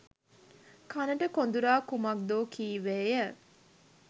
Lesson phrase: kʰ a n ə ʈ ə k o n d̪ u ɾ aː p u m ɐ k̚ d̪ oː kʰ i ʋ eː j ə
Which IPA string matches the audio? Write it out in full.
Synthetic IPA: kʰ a n ə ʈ ə k o n d̪ u ɾ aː k u m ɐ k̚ d̪ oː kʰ iː ʋ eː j ə